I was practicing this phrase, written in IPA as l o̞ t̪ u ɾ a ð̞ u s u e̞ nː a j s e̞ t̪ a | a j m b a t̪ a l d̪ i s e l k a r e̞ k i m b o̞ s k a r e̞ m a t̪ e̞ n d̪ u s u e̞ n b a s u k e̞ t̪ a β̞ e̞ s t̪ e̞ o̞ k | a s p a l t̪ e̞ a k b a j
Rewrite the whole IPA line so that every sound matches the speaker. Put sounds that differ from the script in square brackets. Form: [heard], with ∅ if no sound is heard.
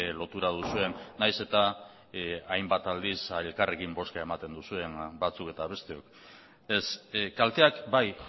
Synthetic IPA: l o̞ t̪ u ɾ a ð̞ u s u e̞ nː a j s e̞ t̪ a | a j m b a t̪ a l d̪ i s e l k a r e̞ k i m b o̞ s k a [∅] e̞ m a t̪ e̞ n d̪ u s u e̞ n b a [t͡s] u k e̞ t̪ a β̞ e̞ s t̪ e̞ o̞ k | [e] s [k] a l t̪ e̞ a k b a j